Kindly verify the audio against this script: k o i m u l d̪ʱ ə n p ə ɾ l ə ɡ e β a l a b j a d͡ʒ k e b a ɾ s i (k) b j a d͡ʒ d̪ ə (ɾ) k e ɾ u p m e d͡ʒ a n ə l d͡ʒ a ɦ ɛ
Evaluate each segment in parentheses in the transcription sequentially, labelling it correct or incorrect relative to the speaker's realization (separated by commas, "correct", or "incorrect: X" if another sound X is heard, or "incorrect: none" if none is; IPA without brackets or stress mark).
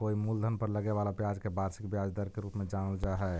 correct, correct